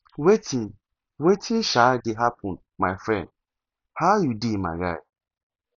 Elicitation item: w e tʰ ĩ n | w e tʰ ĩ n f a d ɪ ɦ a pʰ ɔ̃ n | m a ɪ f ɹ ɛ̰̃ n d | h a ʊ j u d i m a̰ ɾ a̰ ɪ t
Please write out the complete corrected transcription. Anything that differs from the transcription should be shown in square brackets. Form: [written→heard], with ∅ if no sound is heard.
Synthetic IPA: w e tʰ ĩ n | w e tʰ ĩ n [f→ʃ] a d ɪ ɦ a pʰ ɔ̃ n | m a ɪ f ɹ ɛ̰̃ n d | h a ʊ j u d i m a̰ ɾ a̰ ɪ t